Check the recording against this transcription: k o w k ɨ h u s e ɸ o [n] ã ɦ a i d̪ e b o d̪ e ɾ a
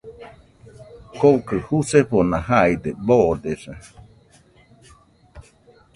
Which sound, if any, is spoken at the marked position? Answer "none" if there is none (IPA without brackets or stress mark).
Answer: n